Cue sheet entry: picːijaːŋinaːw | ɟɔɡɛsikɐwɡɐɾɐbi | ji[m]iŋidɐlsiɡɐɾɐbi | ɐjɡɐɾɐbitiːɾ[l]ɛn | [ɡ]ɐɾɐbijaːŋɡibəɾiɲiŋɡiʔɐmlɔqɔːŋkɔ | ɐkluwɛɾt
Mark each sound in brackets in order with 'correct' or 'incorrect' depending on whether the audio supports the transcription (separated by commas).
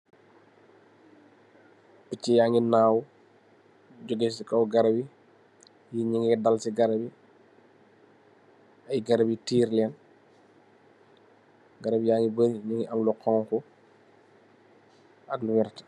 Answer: incorrect, correct, correct